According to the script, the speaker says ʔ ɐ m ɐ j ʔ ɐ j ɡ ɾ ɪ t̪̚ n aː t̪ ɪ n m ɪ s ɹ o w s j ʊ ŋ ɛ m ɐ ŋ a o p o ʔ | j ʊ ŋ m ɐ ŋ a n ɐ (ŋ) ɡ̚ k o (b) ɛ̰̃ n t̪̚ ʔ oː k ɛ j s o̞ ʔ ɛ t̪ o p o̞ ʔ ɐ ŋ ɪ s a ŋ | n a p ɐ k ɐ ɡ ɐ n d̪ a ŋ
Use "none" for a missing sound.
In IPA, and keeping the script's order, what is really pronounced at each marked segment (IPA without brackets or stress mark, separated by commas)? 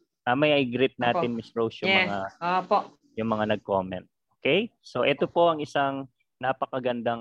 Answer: none, m